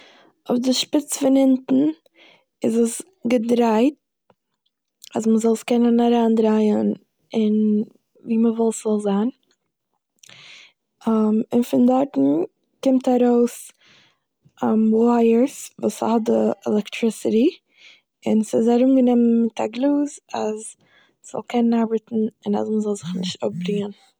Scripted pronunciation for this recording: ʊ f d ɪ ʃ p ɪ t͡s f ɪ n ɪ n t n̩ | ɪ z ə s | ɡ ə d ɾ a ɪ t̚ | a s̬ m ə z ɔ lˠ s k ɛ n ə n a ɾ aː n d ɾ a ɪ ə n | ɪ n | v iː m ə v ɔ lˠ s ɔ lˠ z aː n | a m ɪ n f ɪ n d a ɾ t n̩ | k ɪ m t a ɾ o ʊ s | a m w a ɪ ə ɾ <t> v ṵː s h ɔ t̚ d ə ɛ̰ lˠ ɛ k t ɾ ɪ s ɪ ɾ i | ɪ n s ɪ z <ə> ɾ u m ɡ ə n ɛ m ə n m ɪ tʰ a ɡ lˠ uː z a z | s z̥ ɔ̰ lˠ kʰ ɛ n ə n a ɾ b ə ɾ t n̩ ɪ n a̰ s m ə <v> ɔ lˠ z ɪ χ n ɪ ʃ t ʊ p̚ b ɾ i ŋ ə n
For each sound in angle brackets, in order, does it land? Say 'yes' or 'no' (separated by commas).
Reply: no, no, no